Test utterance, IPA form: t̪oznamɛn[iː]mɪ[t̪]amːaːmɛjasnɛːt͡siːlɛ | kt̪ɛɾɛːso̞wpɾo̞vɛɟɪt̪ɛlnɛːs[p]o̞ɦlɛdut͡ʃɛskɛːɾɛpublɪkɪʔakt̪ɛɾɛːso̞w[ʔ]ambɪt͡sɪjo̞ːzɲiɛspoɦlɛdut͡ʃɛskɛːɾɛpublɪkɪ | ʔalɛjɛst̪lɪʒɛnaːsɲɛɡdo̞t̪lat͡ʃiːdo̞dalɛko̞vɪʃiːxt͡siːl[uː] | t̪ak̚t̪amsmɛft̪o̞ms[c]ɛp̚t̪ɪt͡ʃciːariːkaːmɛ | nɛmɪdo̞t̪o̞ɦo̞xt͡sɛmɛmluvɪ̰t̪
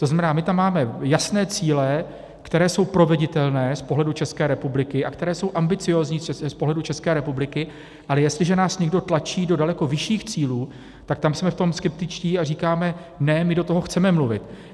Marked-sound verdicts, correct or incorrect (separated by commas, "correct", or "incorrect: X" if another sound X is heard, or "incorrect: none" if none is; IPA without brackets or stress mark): incorrect: aː, correct, correct, correct, correct, incorrect: k